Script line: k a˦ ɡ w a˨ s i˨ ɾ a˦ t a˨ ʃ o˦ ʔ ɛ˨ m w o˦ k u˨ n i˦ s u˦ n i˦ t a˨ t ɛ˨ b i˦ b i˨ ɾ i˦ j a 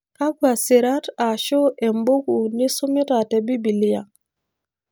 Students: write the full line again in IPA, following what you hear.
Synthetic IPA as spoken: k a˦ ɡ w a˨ s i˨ ɾ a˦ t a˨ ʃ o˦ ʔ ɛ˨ m b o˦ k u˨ n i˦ s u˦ m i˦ t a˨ t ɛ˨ b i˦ b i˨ l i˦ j a